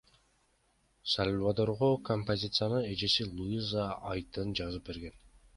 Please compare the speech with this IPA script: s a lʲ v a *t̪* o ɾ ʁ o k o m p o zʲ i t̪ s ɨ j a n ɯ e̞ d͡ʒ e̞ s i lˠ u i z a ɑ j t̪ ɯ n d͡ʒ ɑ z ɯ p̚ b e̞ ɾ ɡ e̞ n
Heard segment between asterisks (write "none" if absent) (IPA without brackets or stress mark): d̪